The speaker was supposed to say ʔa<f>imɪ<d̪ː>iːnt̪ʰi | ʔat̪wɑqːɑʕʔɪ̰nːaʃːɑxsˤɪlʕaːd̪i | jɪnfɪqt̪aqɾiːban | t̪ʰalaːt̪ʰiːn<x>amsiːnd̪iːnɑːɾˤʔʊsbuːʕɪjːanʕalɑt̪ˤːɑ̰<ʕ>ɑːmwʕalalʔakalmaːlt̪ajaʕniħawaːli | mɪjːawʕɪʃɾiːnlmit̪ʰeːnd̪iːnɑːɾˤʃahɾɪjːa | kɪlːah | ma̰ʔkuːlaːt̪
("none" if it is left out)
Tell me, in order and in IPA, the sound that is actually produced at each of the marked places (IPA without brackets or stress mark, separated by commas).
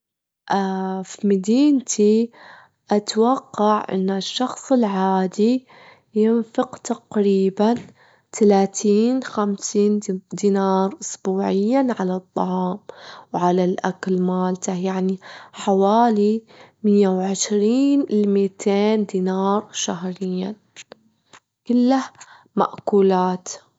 f, d̪, x, ʕ